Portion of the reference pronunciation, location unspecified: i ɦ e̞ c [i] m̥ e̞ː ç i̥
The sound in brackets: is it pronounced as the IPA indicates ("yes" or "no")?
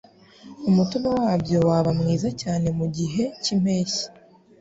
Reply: yes